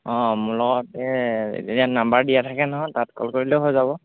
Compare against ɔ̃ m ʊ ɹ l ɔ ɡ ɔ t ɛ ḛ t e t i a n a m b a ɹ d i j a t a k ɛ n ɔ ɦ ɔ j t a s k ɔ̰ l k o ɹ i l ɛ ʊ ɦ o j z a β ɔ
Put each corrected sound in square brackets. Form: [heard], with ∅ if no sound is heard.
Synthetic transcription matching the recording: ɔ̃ m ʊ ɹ l ɔ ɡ ɔ t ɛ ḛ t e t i a n a m b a ɹ d i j a [tʰ] a k ɛ n ɔ ɦ ɔ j t a [t] k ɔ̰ l k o ɹ i l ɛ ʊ ɦ o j z a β ɔ